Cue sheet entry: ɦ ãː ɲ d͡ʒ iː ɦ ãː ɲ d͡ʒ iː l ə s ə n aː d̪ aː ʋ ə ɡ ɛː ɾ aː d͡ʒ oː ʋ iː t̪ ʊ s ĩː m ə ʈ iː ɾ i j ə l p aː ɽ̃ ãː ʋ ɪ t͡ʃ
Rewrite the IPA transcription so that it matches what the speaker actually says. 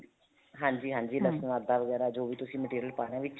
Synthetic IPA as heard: ɦ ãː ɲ d͡ʒ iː ɦ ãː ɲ d͡ʒ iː l ə s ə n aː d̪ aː ʋ ə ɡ ɛː ɾ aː d͡ʒ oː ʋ iː t̪ ʊ s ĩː m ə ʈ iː ɾ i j ə l p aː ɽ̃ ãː ʋ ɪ t͡ʃ